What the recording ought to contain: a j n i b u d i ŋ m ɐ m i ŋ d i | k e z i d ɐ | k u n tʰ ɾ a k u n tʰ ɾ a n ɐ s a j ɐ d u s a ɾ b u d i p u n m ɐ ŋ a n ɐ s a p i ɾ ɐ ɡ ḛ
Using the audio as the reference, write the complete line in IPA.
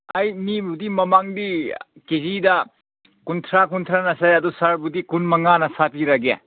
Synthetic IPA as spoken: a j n i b u d i m ɐ m a ŋ d i | k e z i d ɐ | k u n tʰ ɾ a k u n tʰ ɾ a n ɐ s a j ɐ d u s a ɾ b u d i k u n m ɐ ŋ a n ɐ s a p i ɾ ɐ ɡ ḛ